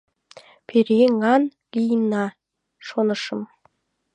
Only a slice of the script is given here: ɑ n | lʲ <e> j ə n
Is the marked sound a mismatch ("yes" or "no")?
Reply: yes